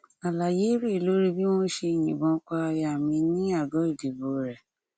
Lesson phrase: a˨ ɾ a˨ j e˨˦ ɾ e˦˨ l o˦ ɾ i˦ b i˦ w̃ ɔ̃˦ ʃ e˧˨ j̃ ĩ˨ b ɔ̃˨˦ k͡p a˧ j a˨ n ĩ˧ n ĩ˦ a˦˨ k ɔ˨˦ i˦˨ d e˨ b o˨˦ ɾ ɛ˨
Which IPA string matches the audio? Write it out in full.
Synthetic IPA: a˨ l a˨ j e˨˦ ɾ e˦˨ l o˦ ɾ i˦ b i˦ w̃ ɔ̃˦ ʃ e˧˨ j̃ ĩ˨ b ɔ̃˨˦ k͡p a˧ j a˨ m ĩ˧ n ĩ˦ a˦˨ ɡ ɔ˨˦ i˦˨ d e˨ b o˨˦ ɾ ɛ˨